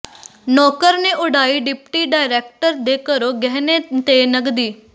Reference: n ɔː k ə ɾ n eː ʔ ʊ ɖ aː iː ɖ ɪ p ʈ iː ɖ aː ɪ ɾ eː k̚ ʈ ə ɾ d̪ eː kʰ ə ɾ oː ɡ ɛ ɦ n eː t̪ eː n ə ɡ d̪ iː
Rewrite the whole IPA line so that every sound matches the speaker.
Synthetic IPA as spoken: n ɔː k ə ɾ n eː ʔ ʊ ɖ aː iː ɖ ɪ p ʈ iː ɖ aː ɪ ɾ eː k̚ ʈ ə ɾ d̪ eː k ə ɾ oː ɡ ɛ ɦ n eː t̪ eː n ə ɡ d̪ iː

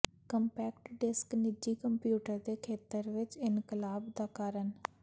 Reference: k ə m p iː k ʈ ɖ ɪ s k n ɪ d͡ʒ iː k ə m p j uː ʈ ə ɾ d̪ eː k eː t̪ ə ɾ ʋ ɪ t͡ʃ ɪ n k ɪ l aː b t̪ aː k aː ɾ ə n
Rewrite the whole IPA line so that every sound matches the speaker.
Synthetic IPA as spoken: k ə m p ɛː k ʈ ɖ ɪ s k n ɪ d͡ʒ iː k ə m p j uː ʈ ə ɾ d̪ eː kʰ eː t̪ ə ɾ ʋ ɪ t͡ʃ ɪ n k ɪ l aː b d̪ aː k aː ɾ ə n

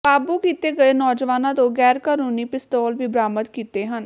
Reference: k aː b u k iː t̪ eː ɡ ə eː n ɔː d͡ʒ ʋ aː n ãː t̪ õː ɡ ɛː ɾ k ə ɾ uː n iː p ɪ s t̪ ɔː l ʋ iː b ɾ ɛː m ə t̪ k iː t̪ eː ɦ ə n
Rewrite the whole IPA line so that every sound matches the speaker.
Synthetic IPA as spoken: k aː b u k iː t̪ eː ɡ ə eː n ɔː d͡ʒ ʋ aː n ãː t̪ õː ɡ ɛː ɾ k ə ɾ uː n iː p ɪ s t̪ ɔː l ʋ iː b ɾ aː m ə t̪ k iː t̪ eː ɦ ə n

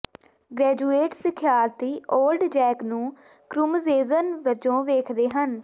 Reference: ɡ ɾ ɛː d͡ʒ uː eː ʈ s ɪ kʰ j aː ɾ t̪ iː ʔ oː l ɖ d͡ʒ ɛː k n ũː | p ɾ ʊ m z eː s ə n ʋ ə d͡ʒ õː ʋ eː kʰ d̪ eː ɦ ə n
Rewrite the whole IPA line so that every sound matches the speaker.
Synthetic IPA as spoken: ɡ ɾ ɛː d͡ʒ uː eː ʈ s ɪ kʰ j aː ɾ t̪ iː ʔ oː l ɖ d͡ʒ ɛː k n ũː | k ɾ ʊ m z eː z ə n ʋ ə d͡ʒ õː ʋ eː kʰ d̪ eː ɦ ə n

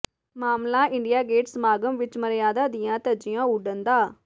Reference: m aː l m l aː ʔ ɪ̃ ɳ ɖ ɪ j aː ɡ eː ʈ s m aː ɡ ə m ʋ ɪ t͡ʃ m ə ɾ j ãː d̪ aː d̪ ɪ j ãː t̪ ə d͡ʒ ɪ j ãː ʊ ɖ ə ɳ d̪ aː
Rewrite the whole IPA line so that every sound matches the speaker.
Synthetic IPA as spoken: m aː m l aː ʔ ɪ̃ ɳ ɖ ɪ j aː ɡ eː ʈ s m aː ɡ ə m ʋ ɪ t͡ʃ m ə ɾ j aː d̪ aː d̪ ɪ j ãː t̪ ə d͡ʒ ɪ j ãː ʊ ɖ ə n d̪ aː

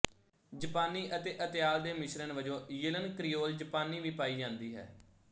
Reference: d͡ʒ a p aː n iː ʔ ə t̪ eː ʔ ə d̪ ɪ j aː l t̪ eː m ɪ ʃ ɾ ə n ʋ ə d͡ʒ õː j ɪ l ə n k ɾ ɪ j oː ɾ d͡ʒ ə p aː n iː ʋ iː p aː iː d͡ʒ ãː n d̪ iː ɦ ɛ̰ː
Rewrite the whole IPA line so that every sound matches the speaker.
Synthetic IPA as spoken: d͡ʒ ə p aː n iː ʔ ə t̪ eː ʔ ə t̪ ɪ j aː l d̪ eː m ɪ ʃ ɾ ə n ʋ ə d͡ʒ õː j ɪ l ə n k ɾ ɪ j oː l d͡ʒ ə p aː n iː ʋ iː p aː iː d͡ʒ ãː n d̪ iː ɦ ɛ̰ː

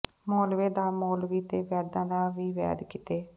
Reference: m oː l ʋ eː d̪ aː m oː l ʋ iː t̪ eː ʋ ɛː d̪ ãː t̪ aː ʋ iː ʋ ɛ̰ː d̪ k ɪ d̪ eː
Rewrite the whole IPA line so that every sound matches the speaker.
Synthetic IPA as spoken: m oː l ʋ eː d̪ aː m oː l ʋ iː t̪ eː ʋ ɛː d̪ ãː d̪ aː ʋ iː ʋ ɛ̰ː d̪ k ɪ t̪ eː

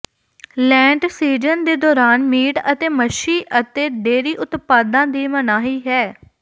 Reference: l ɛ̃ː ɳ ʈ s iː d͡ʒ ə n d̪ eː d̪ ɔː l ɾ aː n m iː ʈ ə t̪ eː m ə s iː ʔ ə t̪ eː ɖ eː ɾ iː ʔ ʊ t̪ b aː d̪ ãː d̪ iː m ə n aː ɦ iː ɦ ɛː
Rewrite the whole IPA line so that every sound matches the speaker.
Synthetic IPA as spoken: l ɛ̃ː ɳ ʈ s iː d͡ʒ ə n d̪ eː d̪ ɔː ɾ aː n m iː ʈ ə t̪ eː m ə ʃ iː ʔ ə t̪ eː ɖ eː ɾ iː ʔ ʊ t̪ p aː d̪ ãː d̪ iː m ə n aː ɦ iː ɦ ɛː

